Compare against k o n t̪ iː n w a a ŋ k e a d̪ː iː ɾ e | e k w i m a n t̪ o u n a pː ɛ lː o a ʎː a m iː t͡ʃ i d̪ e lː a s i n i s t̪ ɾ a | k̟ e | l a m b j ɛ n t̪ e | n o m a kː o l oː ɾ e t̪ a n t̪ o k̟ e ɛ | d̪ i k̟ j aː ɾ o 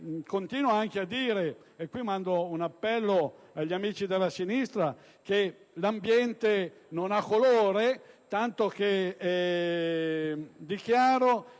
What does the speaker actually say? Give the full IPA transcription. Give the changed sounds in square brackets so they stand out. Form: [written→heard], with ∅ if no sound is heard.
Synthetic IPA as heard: k o n t̪ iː n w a a ŋ k e a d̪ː iː ɾ e | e k w i m a n [t̪→d̪] o u n a pː ɛ lː o a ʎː a m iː t͡ʃ i d̪ e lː a s i n i s t̪ ɾ a | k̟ e | l a m b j ɛ n t̪ e | n o [m→n] a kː o l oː ɾ e t̪ a n t̪ o k̟ e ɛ | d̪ i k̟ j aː ɾ o

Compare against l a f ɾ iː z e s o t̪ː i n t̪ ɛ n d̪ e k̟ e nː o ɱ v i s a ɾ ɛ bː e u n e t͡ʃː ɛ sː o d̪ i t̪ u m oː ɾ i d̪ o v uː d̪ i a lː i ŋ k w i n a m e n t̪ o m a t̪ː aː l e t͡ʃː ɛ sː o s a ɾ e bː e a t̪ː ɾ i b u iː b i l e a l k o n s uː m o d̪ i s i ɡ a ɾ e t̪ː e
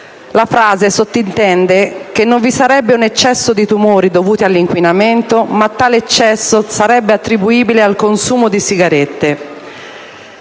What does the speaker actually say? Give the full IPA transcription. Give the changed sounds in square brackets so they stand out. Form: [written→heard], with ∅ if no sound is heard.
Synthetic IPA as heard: l a f ɾ [iː→aː] z e s o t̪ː i n t̪ ɛ n d̪ e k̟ e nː o ɱ v i s a ɾ ɛ bː e u n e t͡ʃː ɛ sː o d̪ i t̪ u m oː ɾ i d̪ o v uː [d̪→t̪] i a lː i ŋ k w i n a m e n t̪ o m a t̪ː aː l e t͡ʃː ɛ sː o s a ɾ [e→ɛ] bː e a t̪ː ɾ i b u iː b i l e a l k o n s uː m o d̪ i s i ɡ a ɾ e t̪ː e

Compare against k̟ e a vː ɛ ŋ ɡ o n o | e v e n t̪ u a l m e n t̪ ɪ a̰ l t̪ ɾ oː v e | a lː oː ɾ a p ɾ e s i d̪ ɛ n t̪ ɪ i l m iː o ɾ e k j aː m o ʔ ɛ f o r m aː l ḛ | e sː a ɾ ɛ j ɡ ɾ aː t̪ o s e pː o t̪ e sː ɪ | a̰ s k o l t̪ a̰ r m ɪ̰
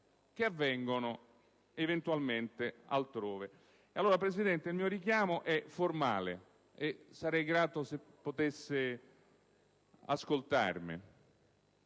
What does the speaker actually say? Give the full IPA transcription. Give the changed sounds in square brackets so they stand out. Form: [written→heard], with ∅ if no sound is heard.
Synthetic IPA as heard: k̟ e a vː ɛ ŋ ɡ o n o | e v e n t̪ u a l m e n t̪ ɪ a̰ l t̪ ɾ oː v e | a lː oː ɾ a p ɾ e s i d̪ ɛ n t̪ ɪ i l m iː o ɾ [e→i] k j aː m o ʔ ɛ f o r m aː l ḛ | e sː a ɾ ɛ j ɡ ɾ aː t̪ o s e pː o t̪ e sː ɪ | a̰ s k o l t̪ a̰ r m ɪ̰

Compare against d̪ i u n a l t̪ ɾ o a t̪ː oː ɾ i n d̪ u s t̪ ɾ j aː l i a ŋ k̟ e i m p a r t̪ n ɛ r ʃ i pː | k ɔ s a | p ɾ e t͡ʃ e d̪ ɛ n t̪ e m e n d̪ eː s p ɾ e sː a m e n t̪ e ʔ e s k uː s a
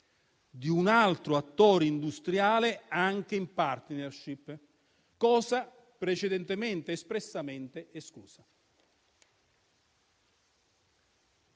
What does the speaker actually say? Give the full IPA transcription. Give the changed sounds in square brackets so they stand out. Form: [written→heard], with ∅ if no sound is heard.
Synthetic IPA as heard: d̪ i u n a l t̪ ɾ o a t̪ː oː ɾ i n d̪ u s t̪ ɾ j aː l [i→e] a ŋ k̟ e i m p a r t̪ n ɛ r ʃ i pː | k [ɔ→ɔː] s a | p ɾ e t͡ʃ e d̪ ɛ n t̪ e m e n [d̪→t̪] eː s p ɾ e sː a m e n t̪ e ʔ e s k uː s a

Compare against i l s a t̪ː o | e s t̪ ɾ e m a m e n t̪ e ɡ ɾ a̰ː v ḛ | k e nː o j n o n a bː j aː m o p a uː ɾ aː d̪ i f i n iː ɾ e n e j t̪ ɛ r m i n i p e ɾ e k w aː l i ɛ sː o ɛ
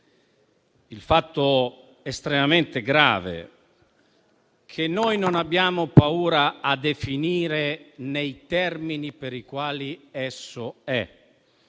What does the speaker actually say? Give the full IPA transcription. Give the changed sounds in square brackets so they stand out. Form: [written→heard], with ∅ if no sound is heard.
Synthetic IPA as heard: i l [s→f] a t̪ː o | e s t̪ ɾ e m a m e n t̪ e ɡ ɾ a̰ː v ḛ | [k→kʰ] e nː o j n o n a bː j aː m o p a uː ɾ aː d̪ [i→e] f i n iː ɾ e n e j t̪ ɛ r m i n i p e ɾ [e→i] k w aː l i ɛ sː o ɛ

